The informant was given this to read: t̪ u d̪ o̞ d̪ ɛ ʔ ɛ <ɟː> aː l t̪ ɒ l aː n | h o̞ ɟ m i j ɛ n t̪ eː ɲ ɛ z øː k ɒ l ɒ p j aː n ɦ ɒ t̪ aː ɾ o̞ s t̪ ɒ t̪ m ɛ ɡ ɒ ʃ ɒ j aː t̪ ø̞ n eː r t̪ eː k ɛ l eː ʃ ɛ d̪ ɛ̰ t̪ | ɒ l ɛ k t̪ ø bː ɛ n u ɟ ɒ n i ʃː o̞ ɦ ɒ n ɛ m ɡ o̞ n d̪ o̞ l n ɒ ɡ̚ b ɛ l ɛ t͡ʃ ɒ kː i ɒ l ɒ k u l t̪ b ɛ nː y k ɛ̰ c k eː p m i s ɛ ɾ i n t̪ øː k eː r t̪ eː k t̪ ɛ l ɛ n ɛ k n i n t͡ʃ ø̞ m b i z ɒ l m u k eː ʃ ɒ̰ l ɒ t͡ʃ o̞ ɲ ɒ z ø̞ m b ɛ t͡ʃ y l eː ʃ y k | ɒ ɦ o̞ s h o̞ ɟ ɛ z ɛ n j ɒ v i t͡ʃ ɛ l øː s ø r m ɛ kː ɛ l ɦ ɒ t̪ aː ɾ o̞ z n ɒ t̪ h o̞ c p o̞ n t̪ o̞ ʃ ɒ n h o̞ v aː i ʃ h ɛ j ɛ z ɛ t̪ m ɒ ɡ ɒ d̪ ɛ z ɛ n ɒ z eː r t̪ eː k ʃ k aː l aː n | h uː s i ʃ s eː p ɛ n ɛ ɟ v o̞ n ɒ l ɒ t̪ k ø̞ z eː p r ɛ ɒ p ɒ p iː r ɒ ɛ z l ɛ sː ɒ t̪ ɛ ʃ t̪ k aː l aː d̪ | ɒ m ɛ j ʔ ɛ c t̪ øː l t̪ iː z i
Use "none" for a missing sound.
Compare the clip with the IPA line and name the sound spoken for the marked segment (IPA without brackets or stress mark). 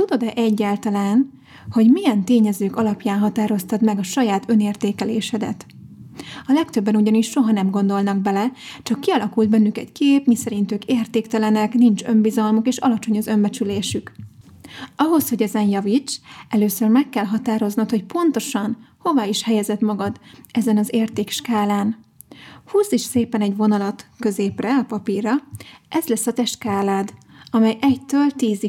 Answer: ɟː